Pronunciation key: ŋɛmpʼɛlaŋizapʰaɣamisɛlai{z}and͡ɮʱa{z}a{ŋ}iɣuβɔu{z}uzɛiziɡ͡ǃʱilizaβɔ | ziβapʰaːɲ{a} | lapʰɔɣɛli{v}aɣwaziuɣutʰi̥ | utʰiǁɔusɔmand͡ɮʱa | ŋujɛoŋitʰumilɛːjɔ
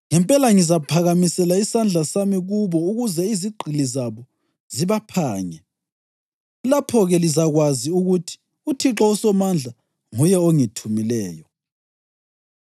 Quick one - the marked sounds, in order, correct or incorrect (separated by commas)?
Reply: incorrect, incorrect, incorrect, incorrect, incorrect, incorrect